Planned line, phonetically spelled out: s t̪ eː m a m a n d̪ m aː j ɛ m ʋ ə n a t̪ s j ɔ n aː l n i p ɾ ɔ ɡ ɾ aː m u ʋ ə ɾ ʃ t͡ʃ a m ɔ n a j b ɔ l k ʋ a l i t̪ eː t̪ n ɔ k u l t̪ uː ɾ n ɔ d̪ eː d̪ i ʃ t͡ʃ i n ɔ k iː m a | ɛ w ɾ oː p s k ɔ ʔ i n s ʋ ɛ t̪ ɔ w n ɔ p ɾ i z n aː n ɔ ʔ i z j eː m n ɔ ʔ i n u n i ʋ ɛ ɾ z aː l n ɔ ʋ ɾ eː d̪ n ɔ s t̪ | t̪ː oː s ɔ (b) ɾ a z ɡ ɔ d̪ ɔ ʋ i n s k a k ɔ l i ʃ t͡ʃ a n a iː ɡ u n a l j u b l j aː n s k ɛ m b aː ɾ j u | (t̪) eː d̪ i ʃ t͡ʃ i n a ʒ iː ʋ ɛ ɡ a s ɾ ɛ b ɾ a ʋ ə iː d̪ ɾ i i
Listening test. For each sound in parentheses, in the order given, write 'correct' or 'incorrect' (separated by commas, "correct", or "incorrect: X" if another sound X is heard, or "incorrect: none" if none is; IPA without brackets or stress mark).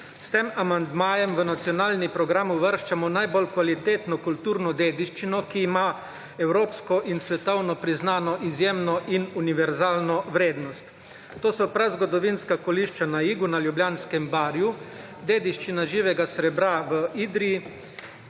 incorrect: p, incorrect: d̪